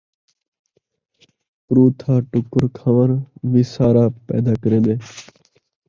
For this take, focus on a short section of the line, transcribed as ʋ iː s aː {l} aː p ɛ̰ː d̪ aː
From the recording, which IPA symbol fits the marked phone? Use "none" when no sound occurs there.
ɾ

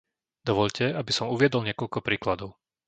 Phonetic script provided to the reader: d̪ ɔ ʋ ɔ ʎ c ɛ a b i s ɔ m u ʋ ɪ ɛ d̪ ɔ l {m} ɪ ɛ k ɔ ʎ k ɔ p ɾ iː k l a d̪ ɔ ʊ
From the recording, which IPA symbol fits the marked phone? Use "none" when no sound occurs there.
ɲ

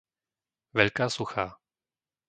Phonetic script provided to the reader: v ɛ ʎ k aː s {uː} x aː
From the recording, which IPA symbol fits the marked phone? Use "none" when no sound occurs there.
u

